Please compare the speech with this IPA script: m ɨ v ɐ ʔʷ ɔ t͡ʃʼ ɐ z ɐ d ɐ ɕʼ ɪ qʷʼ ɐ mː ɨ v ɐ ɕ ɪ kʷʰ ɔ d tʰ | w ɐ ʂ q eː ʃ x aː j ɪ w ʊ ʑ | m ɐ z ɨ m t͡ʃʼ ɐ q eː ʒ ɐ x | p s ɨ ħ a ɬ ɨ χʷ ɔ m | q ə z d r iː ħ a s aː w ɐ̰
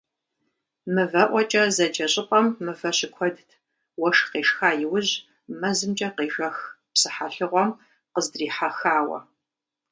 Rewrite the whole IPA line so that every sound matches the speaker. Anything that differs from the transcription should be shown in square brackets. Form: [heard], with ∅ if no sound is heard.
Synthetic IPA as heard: m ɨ v ɐ ʔʷ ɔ t͡ʃʼ ɐ z ɐ [d͡ʒ] ɐ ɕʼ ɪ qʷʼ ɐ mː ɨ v ɐ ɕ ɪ kʷʰ ɔ d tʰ | w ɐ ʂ q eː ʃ x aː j ɪ w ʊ ʑ | m ɐ z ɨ m t͡ʃʼ ɐ q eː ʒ ɐ x | p s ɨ ħ a ɬ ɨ [ʁʷ] ɔ m | q ə z d r iː ħ a [x] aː w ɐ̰